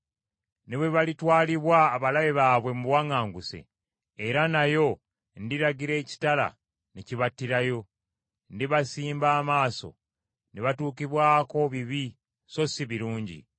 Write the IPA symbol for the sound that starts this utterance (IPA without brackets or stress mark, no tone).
n